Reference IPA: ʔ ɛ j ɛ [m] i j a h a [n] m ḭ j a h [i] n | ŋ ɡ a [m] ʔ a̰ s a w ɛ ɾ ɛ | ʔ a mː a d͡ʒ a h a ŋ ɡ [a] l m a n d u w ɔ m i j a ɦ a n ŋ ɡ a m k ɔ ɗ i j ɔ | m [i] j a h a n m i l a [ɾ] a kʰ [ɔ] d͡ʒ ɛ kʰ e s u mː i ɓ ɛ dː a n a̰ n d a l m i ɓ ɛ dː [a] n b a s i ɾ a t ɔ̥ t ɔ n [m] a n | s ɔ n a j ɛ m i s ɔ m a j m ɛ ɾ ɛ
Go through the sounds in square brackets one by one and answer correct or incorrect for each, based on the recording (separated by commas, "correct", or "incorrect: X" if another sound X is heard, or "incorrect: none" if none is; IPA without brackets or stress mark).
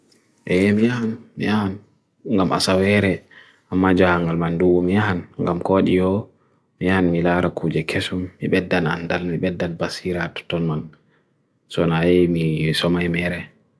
correct, correct, incorrect: a, correct, correct, correct, correct, incorrect: u, correct, correct